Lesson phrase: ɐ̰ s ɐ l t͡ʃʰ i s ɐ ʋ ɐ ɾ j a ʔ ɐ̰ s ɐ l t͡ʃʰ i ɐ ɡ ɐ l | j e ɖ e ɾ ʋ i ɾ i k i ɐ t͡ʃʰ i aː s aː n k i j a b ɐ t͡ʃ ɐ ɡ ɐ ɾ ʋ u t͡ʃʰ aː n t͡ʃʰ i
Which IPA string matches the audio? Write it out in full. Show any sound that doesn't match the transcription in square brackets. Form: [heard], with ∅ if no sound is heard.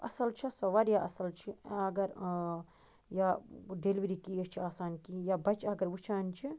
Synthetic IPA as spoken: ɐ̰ s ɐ l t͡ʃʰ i s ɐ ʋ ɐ ɾ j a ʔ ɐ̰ s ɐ l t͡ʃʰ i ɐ ɡ ɐ [ɾ] | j [a] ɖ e [l] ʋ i ɾ i k i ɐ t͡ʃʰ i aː s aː n k i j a b ɐ t͡ʃ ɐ ɡ ɐ ɾ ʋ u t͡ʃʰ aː n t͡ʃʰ i